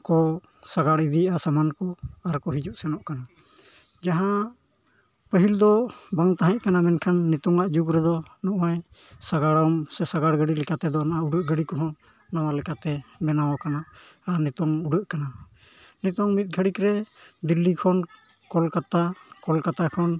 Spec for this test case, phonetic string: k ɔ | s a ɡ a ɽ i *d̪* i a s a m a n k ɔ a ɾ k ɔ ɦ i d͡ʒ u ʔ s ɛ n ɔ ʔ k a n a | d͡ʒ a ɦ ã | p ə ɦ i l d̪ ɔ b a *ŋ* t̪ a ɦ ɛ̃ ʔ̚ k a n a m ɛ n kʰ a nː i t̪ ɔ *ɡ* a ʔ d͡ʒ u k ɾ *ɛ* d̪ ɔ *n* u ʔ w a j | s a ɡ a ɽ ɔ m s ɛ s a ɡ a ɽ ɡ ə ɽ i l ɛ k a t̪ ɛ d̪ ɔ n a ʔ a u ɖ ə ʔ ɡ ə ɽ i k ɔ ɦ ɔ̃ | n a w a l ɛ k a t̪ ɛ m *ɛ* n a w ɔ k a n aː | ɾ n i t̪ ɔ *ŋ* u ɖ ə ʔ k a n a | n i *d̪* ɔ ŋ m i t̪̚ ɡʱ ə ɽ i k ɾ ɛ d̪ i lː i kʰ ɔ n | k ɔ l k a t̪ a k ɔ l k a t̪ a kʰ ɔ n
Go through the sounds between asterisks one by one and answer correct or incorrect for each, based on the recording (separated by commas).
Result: correct, correct, incorrect, correct, correct, correct, correct, incorrect